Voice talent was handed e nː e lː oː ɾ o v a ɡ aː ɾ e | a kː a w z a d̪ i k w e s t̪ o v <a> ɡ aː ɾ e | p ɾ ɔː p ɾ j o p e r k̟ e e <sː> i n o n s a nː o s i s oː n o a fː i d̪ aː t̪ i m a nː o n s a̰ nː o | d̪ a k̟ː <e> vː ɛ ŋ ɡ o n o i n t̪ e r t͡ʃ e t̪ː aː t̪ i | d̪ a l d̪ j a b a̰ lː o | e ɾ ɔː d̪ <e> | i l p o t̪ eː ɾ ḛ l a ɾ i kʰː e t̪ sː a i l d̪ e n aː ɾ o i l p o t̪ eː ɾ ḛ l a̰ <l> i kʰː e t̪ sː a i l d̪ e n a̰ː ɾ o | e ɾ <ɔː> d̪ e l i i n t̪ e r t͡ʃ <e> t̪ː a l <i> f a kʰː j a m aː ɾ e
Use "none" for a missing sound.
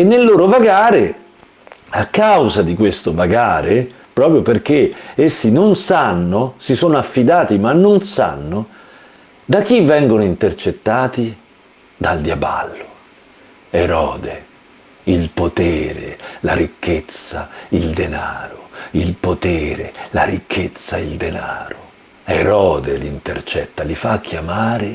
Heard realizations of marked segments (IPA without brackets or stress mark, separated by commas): a, sː, i, e, ɾ, ɔː, ɛ, i